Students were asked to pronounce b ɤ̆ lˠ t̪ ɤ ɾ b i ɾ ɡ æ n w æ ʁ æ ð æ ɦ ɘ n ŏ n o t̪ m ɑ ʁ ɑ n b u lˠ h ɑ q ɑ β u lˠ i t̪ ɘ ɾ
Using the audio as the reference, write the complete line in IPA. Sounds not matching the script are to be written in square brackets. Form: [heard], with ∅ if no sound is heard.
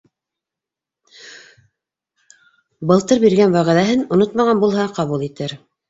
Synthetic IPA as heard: b ɤ̆ lˠ t̪ ɤ ɾ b i ɾ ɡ æ n w æ ʁ æ ð æ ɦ ɘ n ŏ n o t̪ m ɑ ʁ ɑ n b u lˠ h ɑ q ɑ β u lˠ i t̪ ɘ ɾ